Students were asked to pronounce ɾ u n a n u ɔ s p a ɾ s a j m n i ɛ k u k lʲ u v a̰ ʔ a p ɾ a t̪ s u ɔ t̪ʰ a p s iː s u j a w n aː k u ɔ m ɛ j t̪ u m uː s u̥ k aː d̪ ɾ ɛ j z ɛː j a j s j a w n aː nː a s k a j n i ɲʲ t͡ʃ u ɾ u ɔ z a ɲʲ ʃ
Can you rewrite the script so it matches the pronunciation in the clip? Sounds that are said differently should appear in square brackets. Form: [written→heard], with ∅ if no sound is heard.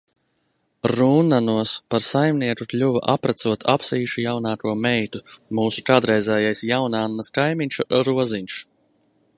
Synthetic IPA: ɾ u n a n u ɔ s p a ɾ s a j m n i ɛ k u k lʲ u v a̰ ʔ a p ɾ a t̪ s u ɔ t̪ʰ a p s iː [s→ʃ] u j a w n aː k u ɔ m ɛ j t̪ u m uː s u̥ k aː d̪ ɾ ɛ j z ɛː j a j s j a w n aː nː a s k a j [n→m] i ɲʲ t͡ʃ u ɾ u ɔ z [a→i] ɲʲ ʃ